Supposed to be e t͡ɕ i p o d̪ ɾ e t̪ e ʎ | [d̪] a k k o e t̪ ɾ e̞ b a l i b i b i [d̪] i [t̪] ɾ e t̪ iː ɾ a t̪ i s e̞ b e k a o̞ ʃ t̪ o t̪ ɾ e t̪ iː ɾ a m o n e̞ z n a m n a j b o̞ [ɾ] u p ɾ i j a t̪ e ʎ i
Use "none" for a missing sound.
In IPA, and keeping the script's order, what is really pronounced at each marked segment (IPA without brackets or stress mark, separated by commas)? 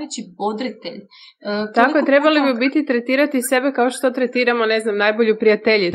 t̪, t̪, t̪, ʎ